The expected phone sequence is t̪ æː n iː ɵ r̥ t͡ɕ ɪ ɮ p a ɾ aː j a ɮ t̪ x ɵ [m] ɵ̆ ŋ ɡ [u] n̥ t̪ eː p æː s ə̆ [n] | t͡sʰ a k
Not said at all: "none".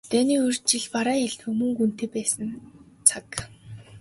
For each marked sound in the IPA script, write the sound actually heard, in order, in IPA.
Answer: m, u, n

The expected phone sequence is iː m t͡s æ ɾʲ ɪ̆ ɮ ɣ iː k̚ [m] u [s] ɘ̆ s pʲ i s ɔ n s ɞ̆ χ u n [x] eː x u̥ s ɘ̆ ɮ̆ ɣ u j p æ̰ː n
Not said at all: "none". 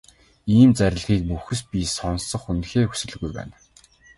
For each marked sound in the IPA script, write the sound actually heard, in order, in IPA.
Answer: m, x, x

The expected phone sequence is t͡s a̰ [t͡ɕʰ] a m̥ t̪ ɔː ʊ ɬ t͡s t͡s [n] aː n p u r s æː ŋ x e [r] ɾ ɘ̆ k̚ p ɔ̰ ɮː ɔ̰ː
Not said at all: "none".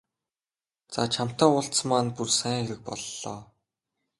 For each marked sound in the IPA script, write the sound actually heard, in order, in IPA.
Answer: t͡ɕʰ, m, none

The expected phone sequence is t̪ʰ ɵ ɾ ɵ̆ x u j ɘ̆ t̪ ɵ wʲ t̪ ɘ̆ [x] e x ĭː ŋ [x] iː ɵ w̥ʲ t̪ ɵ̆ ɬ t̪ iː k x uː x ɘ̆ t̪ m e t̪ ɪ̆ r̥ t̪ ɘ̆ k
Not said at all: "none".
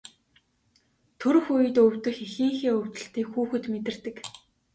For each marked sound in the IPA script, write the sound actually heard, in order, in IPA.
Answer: x, x

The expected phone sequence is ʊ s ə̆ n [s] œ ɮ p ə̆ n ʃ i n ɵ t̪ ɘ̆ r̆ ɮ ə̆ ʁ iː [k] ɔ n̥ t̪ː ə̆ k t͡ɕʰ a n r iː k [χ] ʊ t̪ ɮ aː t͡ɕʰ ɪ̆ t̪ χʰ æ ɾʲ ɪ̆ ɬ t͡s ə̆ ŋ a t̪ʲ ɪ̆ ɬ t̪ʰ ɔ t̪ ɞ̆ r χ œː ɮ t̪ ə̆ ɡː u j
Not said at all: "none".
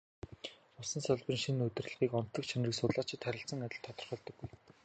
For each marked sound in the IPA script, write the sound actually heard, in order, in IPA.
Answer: s, k, s

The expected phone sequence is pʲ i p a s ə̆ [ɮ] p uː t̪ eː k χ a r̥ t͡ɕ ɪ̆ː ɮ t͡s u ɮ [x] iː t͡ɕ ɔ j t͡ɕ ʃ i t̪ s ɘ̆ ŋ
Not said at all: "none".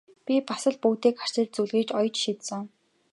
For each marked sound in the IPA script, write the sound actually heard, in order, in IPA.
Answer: ɮ, ɣ

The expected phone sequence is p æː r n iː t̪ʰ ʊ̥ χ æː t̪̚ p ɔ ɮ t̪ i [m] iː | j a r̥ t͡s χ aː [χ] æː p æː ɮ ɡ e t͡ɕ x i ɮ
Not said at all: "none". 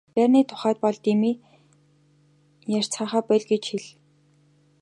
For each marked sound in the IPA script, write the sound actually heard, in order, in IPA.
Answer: m, χ

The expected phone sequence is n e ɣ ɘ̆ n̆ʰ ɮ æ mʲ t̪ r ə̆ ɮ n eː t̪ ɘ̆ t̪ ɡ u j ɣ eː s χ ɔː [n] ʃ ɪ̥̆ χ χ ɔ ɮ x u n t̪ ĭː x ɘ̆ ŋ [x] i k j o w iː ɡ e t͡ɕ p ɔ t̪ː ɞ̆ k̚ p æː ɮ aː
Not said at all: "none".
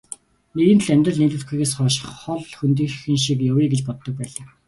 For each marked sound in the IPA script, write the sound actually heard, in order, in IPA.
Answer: none, ʃ

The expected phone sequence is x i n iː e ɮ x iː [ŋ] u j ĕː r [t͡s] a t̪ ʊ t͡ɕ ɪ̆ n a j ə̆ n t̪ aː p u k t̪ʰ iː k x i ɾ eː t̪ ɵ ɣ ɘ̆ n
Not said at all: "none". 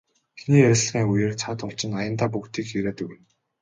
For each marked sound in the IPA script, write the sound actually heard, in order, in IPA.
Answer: ŋ, t͡sʰ

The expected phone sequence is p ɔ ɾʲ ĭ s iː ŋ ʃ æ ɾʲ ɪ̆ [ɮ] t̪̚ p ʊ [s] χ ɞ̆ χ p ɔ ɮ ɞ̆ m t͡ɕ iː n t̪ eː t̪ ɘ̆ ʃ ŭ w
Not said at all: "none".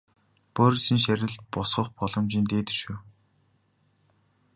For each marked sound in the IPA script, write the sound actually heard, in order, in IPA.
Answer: ɮ, s

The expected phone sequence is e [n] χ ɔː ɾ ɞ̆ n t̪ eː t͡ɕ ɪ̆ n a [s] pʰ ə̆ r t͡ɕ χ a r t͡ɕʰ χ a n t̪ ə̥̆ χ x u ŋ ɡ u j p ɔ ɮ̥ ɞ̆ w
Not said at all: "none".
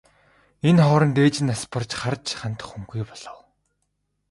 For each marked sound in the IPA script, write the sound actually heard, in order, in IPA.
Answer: n, s

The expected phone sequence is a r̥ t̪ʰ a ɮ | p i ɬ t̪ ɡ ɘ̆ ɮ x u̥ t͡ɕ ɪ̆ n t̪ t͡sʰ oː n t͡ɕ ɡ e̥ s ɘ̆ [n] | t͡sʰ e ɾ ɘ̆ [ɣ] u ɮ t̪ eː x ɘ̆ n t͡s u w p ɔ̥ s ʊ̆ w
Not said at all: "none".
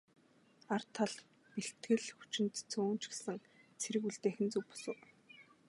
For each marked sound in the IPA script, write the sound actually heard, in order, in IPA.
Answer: ŋ, ɣ

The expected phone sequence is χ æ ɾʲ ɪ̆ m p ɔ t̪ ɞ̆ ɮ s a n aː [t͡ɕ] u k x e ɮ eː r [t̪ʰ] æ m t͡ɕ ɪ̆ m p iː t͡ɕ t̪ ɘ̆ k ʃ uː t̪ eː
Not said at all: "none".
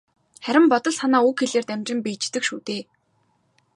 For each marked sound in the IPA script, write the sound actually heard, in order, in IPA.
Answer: none, t̪

